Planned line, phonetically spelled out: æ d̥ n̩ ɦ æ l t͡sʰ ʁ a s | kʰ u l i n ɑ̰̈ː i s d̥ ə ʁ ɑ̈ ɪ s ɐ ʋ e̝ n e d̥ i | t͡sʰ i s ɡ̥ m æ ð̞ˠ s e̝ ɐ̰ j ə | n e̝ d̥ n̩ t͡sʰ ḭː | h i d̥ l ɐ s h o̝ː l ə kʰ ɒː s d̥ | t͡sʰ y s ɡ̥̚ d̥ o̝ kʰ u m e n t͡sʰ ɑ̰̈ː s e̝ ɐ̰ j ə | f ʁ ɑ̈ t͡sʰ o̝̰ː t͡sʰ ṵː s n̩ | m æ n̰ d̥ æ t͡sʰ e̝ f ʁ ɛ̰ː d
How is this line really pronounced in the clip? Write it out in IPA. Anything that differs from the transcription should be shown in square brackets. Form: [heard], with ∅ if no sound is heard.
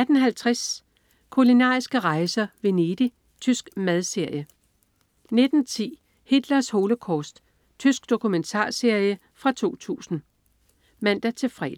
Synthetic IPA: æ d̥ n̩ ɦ æ l t͡sʰ ʁ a s | kʰ u l i n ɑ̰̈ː i s [ɡ̥] ə ʁ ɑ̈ ɪ s ɐ ʋ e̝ n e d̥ i | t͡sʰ [y] s ɡ̥ m æ ð̞ˠ s e̝ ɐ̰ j ə | n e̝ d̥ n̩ t͡sʰ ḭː | h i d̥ l ɐ s h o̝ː l ə kʰ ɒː s d̥ | t͡sʰ y s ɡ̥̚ d̥ o̝ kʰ u m e n t͡sʰ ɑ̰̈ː s e̝ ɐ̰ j ə | f ʁ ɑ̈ t͡sʰ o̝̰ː t͡sʰ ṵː s n̩ | m æ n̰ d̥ æ t͡sʰ e̝ f ʁ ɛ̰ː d

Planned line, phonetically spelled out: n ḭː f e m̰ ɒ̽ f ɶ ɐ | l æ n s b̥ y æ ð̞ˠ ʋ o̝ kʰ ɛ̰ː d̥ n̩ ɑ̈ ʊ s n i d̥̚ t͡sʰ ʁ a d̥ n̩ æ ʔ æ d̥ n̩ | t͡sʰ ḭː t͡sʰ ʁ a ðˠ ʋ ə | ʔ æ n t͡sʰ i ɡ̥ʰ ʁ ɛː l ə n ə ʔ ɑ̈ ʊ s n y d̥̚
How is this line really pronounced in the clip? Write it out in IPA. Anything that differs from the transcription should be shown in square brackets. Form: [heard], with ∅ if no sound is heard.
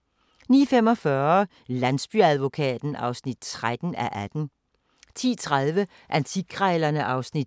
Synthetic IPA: n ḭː f e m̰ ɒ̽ f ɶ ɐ | l æ n s b̥ y æ ð̞ˠ ʋ o̝ kʰ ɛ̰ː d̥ n̩ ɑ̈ ʊ s n i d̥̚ t͡sʰ ʁ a d̥ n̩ æ ʔ æ d̥ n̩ | t͡sʰ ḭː t͡sʰ ʁ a ðˠ ʋ ə | ʔ æ n t͡sʰ i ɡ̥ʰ ʁ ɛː l [ɐ] n ə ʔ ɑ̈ ʊ s n [i] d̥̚

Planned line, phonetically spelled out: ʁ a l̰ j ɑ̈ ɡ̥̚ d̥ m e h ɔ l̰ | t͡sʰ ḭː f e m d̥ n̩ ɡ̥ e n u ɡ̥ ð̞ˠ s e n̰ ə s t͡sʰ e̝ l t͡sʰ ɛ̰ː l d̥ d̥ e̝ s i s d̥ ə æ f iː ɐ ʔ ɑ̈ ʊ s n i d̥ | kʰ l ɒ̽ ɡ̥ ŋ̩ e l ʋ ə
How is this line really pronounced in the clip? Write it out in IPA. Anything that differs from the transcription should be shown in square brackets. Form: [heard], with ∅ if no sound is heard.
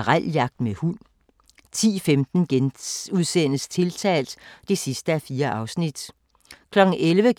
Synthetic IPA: ʁ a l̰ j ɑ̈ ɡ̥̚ d̥ m e h [u] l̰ | t͡sʰ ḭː f e m d̥ n̩ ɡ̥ e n u [∅] ð̞ˠ s e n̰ ə s t͡sʰ e̝ l t͡sʰ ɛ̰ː l d̥ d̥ e̝ s i s d̥ ə æ f iː ɐ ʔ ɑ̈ ʊ s n i d̥ | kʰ l ɒ̽ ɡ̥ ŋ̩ e l ʋ ə

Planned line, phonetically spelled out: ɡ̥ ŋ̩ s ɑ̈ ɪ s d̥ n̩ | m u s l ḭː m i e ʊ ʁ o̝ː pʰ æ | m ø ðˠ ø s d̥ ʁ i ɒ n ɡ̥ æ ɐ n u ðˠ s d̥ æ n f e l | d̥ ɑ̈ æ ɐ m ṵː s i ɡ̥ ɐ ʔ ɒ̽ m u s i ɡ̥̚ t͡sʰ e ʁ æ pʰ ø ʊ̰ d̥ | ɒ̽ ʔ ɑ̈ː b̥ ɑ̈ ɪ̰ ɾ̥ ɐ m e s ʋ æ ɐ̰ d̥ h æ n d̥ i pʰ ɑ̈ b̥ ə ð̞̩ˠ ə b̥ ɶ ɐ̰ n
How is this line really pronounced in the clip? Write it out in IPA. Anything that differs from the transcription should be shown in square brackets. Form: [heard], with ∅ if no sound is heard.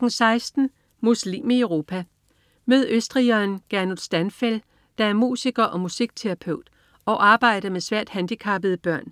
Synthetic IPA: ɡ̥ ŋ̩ s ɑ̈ ɪ s d̥ n̩ | m u s l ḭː m i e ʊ ʁ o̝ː pʰ æ | m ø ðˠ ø s d̥ ʁ i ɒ n ɡ̥ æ ɐ n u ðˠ s d̥ æ n f e l | d̥ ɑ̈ æ ɐ m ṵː s i ɡ̥ ɐ ʔ ɒ̽ m u s i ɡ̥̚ t͡sʰ e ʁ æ pʰ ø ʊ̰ d̥ | ɒ̽ ʔ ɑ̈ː b̥ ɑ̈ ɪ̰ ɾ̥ ɐ m e s ʋ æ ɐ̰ d̥ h æ n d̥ i [kʰ] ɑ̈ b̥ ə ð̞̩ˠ ə b̥ ɶ ɐ̰ n

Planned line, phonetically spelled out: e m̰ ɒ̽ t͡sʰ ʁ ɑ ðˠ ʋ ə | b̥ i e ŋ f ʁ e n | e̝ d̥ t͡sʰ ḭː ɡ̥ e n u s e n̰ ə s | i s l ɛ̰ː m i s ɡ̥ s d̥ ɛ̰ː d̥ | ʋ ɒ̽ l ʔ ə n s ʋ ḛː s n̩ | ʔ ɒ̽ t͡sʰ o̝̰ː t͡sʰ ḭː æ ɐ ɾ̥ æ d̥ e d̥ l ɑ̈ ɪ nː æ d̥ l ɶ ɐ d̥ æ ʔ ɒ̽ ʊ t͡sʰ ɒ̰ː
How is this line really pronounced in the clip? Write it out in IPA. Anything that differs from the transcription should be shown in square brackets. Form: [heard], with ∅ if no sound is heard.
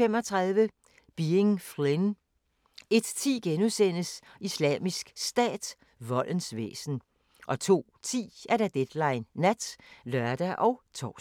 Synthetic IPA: e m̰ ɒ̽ t͡sʰ ʁ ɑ ðˠ ʋ ə | b̥ i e ŋ f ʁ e n | e̝ d̥ t͡sʰ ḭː ɡ̥ e n u s e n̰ ə s | i s l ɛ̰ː m i s ɡ̥ s d̥ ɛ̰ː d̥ | ʋ ɒ̽ l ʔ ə n s ʋ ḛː s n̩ | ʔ ɒ̽ t͡sʰ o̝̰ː t͡sʰ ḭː æ ɐ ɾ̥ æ d̥ e d̥ l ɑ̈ ɪ nː æ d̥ l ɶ ɐ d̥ æ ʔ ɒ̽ ʊ t͡sʰ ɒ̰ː

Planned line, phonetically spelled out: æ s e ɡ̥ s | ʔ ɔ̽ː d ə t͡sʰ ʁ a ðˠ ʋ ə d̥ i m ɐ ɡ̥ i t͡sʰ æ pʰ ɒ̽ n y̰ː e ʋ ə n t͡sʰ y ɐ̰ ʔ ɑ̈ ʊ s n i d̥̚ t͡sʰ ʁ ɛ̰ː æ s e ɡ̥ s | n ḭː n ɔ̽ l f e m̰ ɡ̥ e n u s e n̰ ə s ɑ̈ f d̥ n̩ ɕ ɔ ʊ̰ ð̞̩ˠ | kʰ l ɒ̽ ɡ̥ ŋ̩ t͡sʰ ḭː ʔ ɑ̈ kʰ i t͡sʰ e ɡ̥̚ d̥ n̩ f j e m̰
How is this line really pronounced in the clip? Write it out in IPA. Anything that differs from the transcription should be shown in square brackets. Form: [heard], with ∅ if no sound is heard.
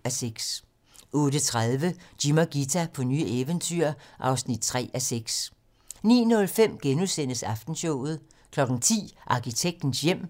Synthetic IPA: æ s e ɡ̥ s | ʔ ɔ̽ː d ə t͡sʰ ʁ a ðˠ ʋ ə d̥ i m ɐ ɡ̥ i t͡sʰ æ pʰ ɒ̽ n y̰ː e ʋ ə n t͡sʰ y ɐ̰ ʔ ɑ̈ ʊ s n i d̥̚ t͡sʰ ʁ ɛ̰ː æ s e ɡ̥ s | n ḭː n ɔ̽ l f e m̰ ɡ̥ e n u s e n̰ ə s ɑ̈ f d̥ n̩ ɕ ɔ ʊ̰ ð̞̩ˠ | kʰ l ɒ̽ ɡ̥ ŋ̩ t͡sʰ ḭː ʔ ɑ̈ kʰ i t͡sʰ e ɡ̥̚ d̥ n̩ [s] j e m̰

